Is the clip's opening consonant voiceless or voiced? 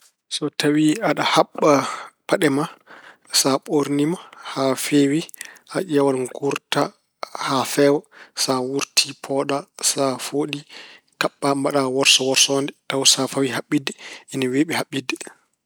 voiceless